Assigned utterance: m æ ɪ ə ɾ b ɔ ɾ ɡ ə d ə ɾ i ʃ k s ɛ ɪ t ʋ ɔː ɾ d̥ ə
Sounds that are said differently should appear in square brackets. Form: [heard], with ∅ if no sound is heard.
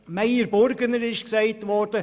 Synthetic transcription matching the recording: m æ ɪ ə ɾ b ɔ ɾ ɡ ə [n] ə ɾ [ɪ] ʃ k s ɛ ɪ t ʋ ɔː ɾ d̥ ə